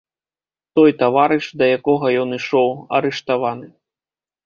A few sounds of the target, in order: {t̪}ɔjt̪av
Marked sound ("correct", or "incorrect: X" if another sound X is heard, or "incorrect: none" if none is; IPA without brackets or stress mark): correct